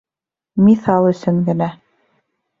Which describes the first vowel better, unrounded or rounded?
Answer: unrounded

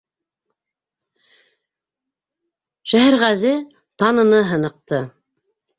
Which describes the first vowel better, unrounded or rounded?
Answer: unrounded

